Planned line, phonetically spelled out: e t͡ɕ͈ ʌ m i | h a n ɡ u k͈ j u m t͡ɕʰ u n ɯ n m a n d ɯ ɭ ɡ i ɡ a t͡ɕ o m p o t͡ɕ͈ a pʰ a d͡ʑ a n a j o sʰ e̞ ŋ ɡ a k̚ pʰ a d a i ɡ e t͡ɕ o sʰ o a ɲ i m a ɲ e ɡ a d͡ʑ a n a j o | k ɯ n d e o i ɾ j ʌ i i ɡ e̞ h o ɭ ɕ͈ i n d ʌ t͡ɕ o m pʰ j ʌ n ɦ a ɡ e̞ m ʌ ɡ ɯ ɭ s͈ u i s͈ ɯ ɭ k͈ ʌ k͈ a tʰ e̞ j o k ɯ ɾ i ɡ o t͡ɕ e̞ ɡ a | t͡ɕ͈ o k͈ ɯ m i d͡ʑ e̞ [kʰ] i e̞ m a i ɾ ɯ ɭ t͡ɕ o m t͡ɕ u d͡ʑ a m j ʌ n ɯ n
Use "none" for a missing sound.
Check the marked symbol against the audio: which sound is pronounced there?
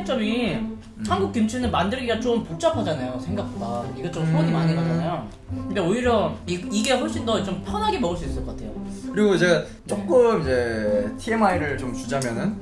tʰ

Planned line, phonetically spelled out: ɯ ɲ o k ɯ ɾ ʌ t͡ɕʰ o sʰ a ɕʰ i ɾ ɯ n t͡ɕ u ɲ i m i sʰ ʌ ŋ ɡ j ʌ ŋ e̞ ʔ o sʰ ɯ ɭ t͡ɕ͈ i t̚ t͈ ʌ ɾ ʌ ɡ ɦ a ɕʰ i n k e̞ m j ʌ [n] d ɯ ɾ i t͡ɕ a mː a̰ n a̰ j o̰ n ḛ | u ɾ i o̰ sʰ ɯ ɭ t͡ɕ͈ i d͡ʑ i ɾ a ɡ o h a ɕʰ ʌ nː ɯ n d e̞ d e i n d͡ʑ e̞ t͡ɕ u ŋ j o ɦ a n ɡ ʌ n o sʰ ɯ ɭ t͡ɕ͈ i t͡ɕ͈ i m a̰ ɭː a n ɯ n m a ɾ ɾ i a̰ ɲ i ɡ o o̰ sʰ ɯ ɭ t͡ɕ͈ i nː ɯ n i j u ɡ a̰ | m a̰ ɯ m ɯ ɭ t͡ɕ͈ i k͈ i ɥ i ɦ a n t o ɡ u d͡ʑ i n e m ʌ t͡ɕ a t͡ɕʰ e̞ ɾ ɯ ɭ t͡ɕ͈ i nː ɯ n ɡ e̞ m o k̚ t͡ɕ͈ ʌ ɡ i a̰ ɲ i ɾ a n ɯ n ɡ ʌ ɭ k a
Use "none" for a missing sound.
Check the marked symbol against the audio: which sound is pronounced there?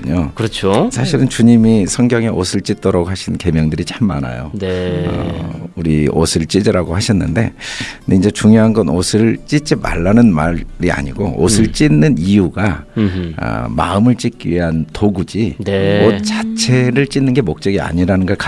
ŋ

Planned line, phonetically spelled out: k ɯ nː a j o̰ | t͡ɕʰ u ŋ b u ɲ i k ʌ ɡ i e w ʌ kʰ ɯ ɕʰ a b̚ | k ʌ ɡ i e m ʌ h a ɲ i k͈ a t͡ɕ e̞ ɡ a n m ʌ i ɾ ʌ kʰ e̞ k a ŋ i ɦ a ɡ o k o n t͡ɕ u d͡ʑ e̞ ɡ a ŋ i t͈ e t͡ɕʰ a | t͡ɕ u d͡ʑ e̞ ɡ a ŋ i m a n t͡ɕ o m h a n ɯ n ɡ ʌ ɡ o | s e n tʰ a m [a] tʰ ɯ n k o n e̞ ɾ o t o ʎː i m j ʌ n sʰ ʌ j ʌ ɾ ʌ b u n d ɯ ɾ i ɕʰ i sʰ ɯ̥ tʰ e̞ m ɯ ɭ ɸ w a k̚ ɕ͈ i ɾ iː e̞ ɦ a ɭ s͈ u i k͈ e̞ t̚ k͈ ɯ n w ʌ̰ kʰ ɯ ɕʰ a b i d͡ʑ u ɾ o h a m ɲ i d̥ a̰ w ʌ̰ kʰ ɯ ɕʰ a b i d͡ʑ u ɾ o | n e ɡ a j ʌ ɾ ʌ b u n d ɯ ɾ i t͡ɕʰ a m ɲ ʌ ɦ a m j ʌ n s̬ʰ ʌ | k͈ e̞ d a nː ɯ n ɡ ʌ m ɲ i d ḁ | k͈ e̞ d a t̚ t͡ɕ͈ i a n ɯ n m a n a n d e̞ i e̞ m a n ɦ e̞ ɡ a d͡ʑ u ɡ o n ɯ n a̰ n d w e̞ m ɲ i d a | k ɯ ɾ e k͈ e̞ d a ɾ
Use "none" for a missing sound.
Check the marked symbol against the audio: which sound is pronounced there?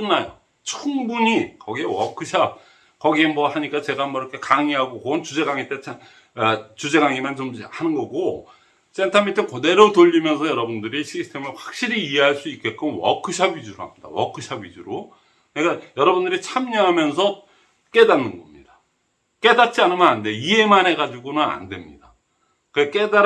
i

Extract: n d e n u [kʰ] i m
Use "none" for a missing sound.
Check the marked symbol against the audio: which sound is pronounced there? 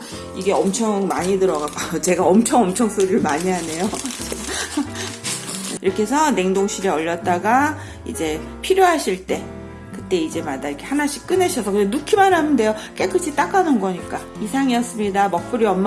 kʰ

